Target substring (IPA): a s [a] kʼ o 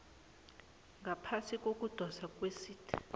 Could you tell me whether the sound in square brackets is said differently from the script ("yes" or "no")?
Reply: yes